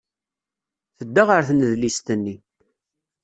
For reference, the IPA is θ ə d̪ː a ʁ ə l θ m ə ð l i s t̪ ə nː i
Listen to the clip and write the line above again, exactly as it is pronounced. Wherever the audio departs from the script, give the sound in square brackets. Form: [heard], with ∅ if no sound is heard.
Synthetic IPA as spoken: θ ə d̪ː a ʁ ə [ɾ] θ [n] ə ð l i s t̪ ə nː i